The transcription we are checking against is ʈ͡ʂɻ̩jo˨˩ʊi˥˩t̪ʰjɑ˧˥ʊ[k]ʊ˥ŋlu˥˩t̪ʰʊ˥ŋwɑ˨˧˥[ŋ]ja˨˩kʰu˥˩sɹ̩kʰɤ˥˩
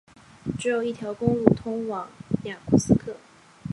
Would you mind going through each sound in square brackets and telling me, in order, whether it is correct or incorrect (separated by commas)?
correct, correct